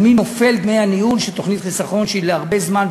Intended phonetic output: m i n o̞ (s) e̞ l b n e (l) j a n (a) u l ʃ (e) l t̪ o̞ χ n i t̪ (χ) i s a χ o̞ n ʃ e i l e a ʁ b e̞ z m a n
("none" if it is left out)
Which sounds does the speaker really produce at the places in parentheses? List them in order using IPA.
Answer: f, none, i, e, χ

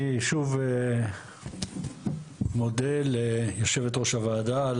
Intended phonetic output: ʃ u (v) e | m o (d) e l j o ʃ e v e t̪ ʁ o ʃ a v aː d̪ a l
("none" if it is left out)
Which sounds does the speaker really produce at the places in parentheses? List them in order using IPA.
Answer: v, d

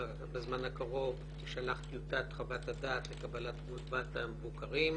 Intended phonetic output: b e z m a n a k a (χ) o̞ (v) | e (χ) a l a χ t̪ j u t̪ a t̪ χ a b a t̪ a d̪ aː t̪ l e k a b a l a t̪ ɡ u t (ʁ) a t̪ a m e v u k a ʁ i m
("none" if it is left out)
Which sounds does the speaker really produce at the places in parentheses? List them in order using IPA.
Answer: ʁ, v, ʃ, v

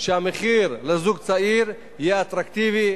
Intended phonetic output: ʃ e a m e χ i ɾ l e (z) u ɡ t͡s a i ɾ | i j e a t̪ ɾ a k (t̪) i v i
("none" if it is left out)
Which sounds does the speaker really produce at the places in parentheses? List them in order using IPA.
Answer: z, t̪

